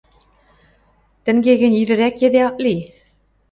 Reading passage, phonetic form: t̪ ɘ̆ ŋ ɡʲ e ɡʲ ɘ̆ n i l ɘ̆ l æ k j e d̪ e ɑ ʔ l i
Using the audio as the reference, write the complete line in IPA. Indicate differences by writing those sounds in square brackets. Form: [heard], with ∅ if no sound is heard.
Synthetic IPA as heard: t̪ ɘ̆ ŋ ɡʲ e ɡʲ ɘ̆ n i [ɾ] ɘ̆ [ɾ] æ k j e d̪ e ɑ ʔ l i